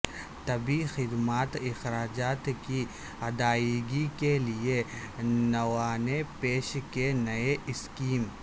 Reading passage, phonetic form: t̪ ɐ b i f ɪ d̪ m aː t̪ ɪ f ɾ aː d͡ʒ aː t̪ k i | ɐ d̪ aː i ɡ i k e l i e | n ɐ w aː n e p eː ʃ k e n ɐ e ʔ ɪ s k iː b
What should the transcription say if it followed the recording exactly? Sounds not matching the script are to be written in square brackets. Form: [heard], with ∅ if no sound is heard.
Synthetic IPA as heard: t̪ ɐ b i [x] ɪ d̪ m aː t̪ ɪ [x] ɾ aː d͡ʒ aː t̪ k i | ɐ d̪ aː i ɡ i k e l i e | n ɐ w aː n e p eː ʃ k e n ɐ e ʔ ɪ s k iː [m]